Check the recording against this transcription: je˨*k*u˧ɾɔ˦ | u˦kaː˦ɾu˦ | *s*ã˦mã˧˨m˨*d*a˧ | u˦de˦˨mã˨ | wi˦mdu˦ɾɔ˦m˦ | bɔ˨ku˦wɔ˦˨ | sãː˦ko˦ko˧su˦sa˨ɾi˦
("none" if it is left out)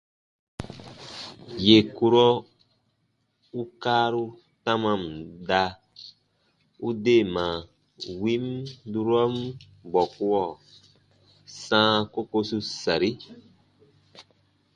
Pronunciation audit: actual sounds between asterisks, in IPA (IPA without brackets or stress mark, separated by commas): k, t, d